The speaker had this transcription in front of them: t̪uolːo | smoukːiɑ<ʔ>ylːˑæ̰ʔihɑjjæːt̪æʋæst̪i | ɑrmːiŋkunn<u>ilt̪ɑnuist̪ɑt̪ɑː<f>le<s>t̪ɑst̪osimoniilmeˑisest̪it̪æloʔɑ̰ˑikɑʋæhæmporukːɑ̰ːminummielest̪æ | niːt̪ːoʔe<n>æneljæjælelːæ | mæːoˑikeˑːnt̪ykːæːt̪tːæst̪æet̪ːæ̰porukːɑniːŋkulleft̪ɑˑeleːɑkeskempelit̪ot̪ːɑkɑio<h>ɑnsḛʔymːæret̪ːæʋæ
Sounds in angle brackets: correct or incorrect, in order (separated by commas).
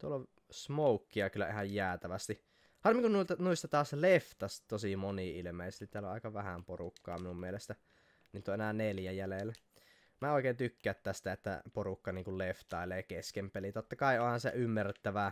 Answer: incorrect, correct, incorrect, incorrect, correct, correct